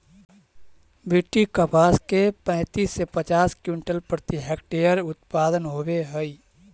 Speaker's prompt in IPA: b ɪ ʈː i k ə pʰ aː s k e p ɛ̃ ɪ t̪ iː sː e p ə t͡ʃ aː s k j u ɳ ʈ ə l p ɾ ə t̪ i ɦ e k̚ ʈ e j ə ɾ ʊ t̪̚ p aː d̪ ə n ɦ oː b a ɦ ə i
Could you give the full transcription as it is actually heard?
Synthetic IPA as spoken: b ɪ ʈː i k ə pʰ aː s k e p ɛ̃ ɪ t̪ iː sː e p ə t͡ʃ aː s k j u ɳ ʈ ə l p ɾ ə t̪ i ɦ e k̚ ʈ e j ə ɾ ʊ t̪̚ p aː d̪ ə n ɦ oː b e ɦ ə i